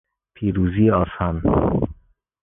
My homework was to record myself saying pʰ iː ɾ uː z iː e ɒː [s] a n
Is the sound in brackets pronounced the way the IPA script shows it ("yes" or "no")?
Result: yes